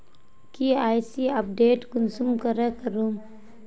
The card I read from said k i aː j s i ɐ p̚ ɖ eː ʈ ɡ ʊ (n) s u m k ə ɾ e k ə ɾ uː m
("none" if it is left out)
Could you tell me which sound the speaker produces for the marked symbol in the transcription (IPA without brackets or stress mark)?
n